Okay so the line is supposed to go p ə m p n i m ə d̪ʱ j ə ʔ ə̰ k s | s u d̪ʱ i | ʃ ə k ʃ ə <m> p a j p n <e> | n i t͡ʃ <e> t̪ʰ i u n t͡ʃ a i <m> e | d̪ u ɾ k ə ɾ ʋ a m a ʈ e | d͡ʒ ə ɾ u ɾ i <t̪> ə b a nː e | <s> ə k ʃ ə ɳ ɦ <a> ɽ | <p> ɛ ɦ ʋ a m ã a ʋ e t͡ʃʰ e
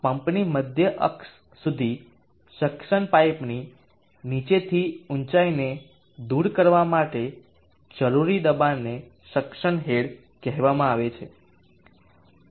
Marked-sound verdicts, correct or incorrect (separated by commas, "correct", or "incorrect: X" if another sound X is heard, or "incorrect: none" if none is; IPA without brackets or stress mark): incorrect: ɳ, incorrect: i, correct, incorrect: n, incorrect: d̪, incorrect: ʃ, incorrect: e, incorrect: k